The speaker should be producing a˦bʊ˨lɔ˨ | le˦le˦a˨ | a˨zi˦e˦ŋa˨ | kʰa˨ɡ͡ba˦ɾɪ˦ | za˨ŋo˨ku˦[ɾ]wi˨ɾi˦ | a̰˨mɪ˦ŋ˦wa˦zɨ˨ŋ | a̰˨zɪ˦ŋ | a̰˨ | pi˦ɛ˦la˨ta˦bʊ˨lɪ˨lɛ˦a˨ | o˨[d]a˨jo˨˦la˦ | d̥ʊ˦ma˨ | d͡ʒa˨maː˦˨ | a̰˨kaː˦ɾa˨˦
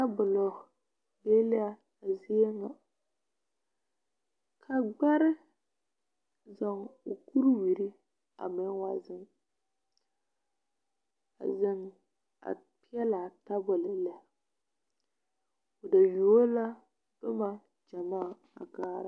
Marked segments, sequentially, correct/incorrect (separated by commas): correct, correct